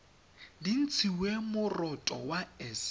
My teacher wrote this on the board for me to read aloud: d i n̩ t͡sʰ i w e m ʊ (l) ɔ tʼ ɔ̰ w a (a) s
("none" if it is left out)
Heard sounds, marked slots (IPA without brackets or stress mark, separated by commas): r, ɛ